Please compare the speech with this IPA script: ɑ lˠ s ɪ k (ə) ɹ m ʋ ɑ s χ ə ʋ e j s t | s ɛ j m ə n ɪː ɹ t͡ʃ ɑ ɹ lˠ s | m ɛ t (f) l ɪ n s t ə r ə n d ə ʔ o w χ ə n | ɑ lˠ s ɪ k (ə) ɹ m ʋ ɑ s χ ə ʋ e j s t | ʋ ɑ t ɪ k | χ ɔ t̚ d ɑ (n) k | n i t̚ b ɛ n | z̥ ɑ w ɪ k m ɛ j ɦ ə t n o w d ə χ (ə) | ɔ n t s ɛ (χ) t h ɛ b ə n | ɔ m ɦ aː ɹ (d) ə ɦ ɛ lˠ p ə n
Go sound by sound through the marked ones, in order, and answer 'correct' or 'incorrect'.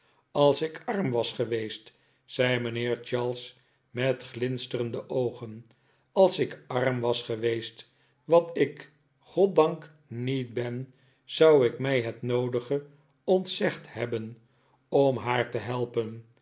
incorrect, incorrect, incorrect, incorrect, correct, correct, incorrect

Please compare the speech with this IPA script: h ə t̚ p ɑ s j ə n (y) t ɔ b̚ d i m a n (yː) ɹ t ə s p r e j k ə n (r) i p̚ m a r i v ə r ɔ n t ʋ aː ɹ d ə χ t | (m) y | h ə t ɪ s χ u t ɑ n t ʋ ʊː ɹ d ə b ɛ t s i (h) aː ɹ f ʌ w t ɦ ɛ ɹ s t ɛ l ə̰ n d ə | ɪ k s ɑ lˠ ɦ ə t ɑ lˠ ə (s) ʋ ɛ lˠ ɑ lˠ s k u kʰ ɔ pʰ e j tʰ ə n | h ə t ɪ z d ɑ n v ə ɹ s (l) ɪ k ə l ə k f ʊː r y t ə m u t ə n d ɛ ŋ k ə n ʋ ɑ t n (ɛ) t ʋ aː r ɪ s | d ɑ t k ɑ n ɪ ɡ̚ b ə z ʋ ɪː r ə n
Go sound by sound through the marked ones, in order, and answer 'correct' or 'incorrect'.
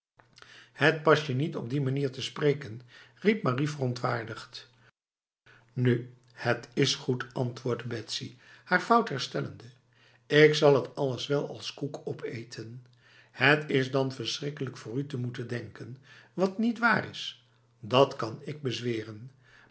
incorrect, incorrect, correct, incorrect, correct, correct, incorrect, incorrect

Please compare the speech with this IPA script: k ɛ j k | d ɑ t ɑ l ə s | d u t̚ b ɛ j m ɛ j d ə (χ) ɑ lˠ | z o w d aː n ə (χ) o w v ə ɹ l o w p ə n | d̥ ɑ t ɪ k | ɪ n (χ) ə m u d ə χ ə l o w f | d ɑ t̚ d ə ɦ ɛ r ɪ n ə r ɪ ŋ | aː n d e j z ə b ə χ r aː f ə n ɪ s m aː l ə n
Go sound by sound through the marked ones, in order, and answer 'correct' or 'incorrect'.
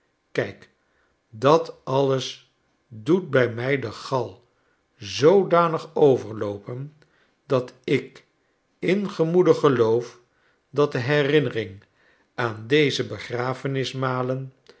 correct, correct, correct

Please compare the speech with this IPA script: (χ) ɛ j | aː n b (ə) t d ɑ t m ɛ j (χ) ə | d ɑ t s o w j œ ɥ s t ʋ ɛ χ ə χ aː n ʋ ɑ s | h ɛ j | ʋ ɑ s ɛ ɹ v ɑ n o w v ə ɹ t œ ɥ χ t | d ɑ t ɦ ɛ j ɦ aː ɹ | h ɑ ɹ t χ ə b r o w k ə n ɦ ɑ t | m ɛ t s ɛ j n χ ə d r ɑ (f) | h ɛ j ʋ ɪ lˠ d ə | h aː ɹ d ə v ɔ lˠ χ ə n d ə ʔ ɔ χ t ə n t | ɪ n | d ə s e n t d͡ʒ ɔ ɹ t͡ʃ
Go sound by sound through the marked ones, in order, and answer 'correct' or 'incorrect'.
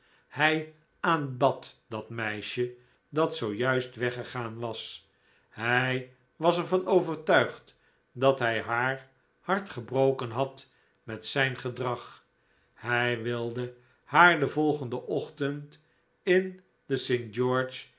incorrect, incorrect, incorrect, incorrect

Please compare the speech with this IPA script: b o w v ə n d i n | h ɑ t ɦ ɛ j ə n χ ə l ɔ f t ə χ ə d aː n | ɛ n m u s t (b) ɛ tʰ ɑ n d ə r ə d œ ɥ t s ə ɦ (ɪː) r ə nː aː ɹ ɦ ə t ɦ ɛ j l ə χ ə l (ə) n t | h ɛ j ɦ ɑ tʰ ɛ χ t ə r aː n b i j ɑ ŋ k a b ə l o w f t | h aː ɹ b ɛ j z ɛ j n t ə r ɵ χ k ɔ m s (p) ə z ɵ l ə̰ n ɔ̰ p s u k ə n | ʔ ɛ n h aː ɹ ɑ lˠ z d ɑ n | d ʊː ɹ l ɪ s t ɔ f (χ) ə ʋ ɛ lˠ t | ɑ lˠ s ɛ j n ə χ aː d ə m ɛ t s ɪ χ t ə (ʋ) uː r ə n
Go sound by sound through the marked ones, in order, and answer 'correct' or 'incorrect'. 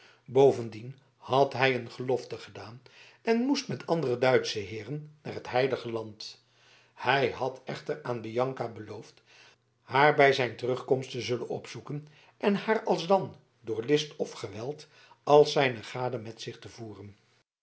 incorrect, correct, incorrect, incorrect, correct, incorrect

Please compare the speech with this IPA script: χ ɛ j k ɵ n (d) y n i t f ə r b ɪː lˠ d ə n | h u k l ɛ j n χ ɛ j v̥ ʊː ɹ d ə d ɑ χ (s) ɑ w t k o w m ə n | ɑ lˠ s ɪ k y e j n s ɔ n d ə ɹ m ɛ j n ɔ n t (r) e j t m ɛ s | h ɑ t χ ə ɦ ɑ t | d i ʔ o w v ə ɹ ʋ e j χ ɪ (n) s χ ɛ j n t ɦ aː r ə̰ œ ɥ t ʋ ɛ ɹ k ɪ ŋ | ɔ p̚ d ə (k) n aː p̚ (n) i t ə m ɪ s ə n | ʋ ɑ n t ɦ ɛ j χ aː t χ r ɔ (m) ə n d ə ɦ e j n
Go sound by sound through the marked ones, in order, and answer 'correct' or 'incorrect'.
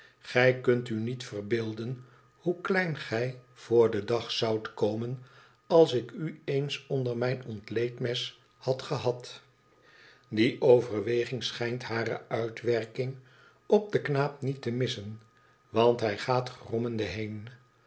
incorrect, correct, incorrect, incorrect, correct, correct, correct

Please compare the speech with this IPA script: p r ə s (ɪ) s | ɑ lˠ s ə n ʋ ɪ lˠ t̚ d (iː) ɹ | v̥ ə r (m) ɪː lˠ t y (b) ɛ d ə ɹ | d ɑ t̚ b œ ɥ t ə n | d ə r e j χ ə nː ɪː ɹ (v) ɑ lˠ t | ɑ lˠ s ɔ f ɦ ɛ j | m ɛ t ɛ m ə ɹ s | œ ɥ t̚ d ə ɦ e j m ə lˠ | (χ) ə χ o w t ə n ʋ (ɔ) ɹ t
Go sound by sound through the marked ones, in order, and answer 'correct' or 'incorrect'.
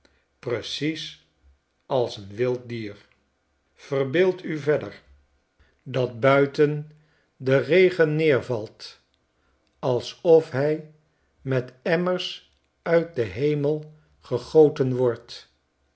incorrect, correct, incorrect, incorrect, correct, correct, correct

